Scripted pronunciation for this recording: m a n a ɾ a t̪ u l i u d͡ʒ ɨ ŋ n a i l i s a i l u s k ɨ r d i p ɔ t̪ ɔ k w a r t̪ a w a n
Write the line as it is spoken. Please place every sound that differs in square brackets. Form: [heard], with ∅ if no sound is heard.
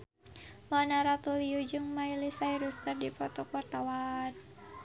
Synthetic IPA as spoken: m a n a ɾ a t̪ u l i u d͡ʒ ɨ ŋ [m] a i l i s a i [ɾ] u s k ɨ r d i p ɔ t̪ ɔ k w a r t̪ a w a n